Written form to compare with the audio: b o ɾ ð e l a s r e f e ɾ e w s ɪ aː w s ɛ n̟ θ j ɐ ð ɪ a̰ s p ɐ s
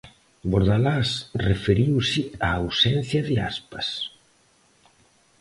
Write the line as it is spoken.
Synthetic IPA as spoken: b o ɾ ð a l a s r e f e ɾ i w s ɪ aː w s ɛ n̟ θ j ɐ ð ɪ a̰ s p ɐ s